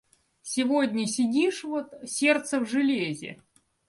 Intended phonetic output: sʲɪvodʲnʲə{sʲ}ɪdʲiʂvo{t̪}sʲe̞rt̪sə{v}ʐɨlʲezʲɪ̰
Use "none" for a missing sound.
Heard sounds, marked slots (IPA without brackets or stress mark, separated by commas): sʲ, t̪, v